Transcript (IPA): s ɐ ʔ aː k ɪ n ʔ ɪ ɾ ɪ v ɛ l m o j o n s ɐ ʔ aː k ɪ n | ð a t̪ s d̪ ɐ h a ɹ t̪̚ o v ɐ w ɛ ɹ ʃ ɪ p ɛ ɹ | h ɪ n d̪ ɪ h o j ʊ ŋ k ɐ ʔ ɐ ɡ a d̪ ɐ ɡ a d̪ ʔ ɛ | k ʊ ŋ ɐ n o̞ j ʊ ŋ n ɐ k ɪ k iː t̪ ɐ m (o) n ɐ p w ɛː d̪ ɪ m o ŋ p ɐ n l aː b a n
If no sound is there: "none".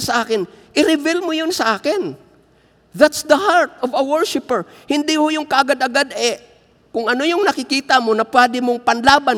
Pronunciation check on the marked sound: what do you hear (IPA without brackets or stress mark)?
o